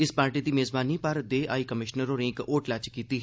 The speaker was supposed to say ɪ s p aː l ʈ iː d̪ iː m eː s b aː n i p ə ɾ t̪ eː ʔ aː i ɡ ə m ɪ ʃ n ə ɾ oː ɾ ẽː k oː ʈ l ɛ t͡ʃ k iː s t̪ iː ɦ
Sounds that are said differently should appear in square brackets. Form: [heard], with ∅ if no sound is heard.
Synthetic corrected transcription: ɪ s p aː [ɾ] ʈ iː d̪ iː m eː [z] b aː n i p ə ɾ [d̪] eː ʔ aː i [k] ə m ɪ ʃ n ə ɾ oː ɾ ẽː k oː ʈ l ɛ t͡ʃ k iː [∅] t̪ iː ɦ